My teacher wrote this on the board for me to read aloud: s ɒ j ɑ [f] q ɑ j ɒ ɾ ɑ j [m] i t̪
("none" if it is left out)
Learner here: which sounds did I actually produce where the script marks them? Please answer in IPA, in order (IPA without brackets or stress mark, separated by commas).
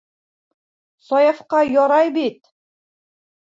f, b